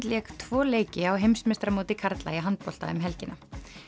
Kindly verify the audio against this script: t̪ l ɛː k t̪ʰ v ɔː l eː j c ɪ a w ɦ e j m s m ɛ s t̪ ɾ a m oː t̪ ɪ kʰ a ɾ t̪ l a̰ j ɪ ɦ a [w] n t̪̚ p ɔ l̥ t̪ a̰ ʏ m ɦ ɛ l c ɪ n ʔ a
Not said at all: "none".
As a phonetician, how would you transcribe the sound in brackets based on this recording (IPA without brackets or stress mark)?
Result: none